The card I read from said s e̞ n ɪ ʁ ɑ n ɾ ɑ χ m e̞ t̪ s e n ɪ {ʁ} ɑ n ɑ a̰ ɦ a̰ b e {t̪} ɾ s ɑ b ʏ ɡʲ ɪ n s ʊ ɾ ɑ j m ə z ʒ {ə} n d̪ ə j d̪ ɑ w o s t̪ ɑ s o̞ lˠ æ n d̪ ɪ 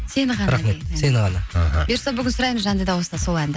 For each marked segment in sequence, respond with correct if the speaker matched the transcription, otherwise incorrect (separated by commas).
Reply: correct, incorrect, incorrect